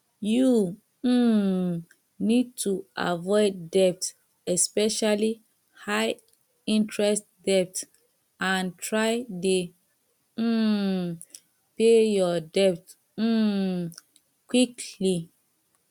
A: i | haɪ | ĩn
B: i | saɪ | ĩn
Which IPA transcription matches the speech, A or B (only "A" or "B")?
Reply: A